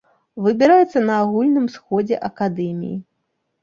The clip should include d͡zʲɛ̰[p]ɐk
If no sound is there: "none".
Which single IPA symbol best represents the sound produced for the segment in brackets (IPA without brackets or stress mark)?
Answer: ʔ